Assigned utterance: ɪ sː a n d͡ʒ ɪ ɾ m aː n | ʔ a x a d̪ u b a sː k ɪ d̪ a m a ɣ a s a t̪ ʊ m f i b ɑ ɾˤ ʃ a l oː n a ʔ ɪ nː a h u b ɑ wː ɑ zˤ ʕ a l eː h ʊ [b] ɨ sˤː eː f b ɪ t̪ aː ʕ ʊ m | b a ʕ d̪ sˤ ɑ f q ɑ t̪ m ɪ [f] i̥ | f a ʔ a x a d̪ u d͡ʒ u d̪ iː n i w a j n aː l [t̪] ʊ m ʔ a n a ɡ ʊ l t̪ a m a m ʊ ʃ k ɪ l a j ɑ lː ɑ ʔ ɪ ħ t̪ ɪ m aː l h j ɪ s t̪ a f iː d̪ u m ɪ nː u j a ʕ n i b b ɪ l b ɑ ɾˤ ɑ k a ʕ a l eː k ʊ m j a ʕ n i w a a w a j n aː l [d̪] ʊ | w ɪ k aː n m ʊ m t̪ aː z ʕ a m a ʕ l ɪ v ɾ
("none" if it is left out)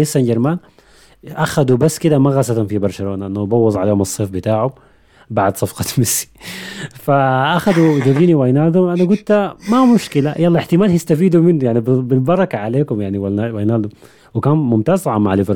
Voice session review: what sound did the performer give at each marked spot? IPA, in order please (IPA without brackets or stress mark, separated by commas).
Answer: m, s, d̪, d̪